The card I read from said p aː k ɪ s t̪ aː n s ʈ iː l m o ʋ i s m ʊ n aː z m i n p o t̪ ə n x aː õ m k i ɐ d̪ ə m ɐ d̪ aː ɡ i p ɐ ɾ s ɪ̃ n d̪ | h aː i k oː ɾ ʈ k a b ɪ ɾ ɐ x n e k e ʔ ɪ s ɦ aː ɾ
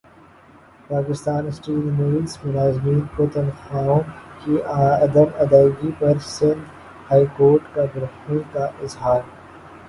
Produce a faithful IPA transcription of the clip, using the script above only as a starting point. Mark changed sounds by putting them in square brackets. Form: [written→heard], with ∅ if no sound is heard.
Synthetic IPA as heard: p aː k ɪ s t̪ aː n s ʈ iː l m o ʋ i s m ʊ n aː z m [i→iː] n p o t̪ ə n x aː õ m k i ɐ d̪ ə m ɐ d̪ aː ɡ i p ɐ ɾ s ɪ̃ n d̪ | h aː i k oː ɾ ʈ k a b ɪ ɾ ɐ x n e k [e→a] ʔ ɪ [s→z] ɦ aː ɾ